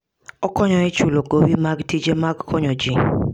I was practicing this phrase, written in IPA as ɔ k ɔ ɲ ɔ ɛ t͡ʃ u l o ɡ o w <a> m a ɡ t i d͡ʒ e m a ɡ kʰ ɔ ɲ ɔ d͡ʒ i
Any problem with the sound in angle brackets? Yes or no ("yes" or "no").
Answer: yes